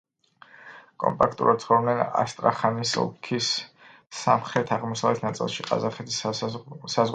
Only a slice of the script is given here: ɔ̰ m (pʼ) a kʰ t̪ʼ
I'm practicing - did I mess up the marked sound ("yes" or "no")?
no